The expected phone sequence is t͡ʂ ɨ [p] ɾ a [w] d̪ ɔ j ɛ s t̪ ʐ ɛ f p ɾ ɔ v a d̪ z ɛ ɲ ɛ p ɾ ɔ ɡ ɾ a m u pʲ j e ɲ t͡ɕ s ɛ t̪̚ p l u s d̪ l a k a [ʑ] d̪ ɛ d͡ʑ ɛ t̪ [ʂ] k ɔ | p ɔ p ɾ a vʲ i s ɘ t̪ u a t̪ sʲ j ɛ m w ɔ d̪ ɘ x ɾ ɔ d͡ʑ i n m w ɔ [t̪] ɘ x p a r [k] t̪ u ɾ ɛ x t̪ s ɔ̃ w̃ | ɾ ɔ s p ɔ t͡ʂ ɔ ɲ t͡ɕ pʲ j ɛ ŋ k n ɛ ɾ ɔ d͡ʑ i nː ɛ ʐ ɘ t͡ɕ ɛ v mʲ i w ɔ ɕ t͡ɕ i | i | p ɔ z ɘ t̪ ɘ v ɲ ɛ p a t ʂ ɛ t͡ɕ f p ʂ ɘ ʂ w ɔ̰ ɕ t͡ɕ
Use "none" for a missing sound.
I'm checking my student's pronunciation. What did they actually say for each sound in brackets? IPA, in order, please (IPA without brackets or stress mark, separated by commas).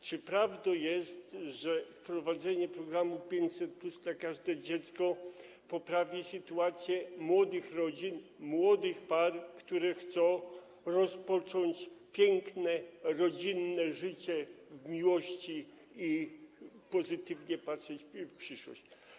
p, v, ʐ, s, d̪, k